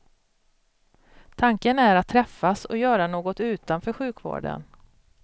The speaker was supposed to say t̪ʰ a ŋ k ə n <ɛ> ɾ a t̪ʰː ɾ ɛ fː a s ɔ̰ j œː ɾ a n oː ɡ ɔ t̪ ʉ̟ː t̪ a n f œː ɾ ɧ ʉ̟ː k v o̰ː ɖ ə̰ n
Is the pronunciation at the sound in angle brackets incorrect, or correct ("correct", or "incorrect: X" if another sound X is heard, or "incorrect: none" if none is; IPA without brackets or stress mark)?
incorrect: æ